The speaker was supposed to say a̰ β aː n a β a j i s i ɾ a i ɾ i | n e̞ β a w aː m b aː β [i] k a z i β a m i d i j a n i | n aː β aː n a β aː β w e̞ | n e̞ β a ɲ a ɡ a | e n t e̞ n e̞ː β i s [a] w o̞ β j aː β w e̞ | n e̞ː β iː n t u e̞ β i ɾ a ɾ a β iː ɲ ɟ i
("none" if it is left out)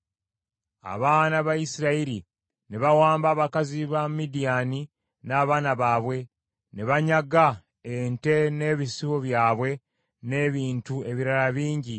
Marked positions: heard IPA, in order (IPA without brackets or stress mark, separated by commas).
a, i